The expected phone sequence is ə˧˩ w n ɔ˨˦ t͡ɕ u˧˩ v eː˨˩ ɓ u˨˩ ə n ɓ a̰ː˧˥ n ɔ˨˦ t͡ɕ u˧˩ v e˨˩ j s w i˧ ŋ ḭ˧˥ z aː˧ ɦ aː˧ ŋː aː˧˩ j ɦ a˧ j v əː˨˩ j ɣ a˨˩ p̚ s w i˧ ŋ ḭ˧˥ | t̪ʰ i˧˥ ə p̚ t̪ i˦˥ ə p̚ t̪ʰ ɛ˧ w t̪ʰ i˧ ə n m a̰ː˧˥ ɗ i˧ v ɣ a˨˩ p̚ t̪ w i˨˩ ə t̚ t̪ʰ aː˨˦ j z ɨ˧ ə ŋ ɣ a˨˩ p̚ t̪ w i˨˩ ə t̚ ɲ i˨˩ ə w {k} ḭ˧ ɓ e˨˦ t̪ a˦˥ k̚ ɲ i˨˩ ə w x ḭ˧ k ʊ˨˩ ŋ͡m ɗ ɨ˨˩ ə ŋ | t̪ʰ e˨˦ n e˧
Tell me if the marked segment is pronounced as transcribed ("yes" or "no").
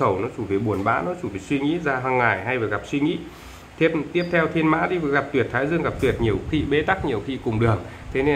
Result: no